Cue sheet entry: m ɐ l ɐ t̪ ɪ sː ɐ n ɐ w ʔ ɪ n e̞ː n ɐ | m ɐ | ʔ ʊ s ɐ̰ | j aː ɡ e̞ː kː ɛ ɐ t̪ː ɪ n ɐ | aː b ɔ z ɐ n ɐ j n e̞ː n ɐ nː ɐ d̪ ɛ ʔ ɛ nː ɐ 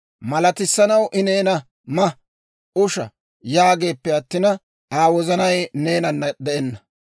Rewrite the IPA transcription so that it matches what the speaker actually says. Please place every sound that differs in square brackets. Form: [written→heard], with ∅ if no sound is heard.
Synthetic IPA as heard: m ɐ l ɐ t̪ ɪ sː ɐ n ɐ w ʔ ɪ n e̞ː n ɐ | m ɐ | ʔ ʊ [s→ʃ] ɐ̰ | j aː ɡ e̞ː [kː→pː] ɛ ɐ t̪ː ɪ n ɐ | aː [b→w] ɔ z ɐ n ɐ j n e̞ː n ɐ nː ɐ d̪ ɛ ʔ ɛ nː ɐ